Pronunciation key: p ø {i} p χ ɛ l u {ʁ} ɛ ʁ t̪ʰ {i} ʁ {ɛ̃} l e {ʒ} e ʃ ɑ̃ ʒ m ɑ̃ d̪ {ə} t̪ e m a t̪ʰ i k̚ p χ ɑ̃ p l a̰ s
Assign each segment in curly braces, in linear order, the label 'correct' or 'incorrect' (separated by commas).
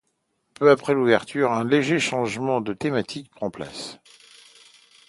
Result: incorrect, incorrect, incorrect, correct, correct, correct